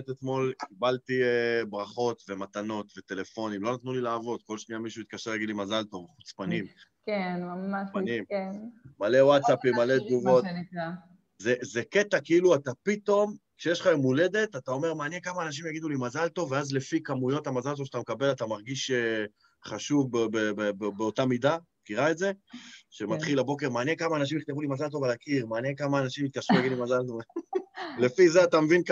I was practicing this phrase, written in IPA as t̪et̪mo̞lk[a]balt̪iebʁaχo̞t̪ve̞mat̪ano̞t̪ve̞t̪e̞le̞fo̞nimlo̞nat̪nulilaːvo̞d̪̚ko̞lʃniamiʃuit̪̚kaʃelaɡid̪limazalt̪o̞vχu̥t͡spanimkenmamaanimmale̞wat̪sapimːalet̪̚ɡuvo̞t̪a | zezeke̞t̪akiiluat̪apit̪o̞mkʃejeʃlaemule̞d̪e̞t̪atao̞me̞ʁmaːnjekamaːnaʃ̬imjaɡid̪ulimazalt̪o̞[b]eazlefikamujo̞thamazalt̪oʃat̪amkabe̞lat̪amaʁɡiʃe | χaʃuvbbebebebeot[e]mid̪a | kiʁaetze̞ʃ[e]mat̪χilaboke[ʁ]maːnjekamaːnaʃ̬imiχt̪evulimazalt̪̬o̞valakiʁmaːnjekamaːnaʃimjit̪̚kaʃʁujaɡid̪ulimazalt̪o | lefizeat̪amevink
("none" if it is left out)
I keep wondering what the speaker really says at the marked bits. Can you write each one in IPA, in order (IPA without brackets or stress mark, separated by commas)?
i, v, a, e, ʁ